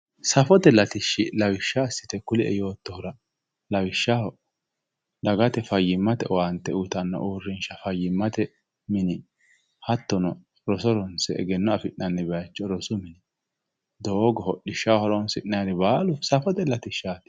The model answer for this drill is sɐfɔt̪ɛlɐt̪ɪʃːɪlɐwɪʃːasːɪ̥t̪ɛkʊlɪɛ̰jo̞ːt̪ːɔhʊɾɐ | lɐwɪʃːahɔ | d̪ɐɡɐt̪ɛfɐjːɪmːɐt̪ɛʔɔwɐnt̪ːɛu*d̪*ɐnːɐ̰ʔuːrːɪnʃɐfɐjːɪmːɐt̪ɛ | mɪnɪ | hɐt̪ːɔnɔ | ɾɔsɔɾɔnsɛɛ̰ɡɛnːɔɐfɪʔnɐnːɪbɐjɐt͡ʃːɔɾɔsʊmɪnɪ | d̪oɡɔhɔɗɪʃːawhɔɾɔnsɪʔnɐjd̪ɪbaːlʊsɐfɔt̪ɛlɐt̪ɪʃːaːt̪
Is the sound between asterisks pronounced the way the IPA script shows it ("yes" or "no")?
no